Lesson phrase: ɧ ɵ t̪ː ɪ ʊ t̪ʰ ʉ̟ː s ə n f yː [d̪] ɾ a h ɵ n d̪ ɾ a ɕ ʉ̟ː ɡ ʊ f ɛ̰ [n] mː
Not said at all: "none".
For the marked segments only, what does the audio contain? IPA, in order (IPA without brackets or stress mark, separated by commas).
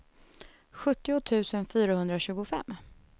none, none